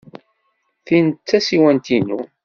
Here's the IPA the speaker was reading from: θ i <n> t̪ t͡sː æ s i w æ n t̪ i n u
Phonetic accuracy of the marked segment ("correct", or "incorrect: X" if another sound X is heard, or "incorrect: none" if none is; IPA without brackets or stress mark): correct